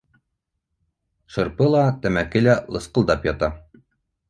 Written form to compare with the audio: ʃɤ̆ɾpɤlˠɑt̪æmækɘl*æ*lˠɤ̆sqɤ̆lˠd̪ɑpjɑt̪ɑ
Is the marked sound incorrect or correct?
correct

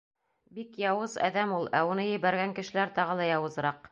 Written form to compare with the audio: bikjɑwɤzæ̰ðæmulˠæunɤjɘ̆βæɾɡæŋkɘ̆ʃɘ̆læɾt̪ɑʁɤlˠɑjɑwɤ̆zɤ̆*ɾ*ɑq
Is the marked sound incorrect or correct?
correct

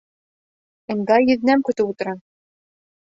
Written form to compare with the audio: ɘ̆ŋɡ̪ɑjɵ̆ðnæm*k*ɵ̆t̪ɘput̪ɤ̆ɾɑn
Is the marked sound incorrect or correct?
correct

